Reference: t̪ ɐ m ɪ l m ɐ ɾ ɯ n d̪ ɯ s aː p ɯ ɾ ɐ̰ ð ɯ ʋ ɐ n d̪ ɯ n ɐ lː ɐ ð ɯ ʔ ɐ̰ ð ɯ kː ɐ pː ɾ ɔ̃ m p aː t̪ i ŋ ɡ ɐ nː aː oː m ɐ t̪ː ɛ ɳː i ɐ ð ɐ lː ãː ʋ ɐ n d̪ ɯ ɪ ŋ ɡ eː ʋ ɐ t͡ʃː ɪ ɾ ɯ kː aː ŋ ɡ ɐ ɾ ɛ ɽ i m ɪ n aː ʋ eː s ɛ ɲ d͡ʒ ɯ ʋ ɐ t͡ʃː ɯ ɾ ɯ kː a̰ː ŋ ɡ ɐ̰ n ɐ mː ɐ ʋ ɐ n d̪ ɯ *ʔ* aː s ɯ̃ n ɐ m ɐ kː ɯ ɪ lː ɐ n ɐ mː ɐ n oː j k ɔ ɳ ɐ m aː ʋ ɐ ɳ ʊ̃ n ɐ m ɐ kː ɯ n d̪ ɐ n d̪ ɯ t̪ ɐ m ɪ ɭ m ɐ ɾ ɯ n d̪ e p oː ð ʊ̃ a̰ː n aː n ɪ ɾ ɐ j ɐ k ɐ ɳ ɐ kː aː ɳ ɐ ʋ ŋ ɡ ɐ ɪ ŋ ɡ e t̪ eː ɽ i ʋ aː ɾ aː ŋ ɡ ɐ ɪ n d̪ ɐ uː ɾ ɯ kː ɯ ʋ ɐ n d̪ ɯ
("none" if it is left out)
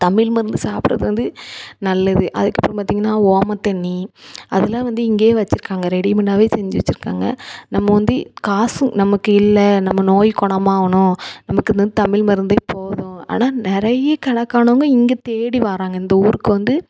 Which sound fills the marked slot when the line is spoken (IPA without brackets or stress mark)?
k